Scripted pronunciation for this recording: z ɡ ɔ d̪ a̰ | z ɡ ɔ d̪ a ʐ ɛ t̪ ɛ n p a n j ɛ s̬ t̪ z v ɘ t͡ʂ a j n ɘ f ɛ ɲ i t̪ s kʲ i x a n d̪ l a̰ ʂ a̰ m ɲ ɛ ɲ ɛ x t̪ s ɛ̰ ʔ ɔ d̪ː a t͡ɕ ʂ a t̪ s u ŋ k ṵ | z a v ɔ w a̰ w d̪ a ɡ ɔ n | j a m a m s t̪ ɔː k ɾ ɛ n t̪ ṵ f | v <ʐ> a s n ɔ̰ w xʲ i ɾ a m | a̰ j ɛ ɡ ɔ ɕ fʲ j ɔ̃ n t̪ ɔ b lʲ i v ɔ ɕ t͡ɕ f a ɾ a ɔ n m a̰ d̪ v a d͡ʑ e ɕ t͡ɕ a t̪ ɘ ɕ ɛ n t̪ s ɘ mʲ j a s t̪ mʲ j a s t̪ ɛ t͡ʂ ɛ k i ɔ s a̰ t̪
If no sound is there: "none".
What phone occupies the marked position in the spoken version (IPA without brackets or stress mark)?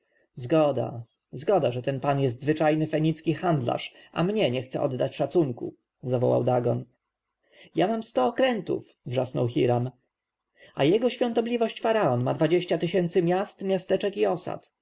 ʐ